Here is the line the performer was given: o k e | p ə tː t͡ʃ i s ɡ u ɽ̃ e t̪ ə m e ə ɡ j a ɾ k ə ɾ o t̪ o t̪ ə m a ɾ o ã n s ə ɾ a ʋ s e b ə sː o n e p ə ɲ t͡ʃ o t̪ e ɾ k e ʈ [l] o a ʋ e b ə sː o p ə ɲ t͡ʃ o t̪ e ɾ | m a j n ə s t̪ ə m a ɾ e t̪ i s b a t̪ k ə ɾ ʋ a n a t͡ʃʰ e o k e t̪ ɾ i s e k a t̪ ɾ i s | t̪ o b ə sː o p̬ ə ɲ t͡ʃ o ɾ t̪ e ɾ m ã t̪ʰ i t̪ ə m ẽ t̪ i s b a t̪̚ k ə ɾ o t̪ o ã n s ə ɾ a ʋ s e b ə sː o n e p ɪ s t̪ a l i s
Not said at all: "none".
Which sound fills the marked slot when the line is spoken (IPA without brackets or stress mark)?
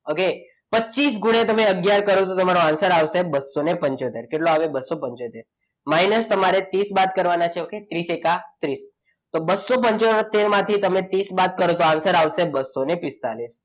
l